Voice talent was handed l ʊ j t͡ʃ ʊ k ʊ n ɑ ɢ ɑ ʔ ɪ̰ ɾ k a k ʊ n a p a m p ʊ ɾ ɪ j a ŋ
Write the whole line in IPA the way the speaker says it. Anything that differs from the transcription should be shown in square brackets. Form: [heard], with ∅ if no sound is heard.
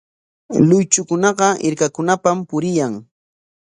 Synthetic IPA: l ʊ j t͡ʃ ʊ k ʊ n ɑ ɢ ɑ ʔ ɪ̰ ɾ k a k ʊ n a p a m p ʊ ɾ ɪ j a ŋ